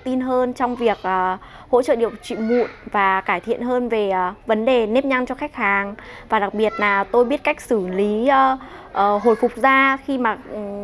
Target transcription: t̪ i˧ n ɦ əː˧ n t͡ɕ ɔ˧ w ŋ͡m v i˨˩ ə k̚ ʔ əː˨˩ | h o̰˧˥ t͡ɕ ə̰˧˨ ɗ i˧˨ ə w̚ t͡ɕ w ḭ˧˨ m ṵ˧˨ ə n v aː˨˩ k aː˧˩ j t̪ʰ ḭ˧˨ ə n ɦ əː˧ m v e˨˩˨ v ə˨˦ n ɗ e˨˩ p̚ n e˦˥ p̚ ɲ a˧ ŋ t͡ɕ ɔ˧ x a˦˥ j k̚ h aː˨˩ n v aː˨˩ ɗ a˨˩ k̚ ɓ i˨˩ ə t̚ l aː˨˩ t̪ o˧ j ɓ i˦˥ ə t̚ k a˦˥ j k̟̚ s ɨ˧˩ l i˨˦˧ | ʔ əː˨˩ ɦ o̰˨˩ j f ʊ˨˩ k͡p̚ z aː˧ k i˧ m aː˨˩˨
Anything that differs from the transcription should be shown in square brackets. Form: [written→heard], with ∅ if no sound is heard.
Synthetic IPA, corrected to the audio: t̪ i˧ n ɦ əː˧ n t͡ɕ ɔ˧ w ŋ͡m v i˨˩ ə k̚ ʔ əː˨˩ | h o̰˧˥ t͡ɕ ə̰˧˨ ɗ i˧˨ ə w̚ t͡ɕ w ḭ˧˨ m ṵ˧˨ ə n v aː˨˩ k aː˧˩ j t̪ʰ ḭ˧˨ ə n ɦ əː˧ [m→n] v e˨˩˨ v ə˨˦ n ɗ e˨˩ [p̚→∅] n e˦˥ p̚ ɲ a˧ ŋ t͡ɕ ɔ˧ x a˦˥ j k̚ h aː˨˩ [n→ŋ] v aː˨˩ ɗ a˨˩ k̚ ɓ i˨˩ ə t̚ l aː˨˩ t̪ o˧ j ɓ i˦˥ ə t̚ k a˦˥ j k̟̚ s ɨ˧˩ l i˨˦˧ | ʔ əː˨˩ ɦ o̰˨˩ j f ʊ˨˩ k͡p̚ z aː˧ [k→x] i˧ m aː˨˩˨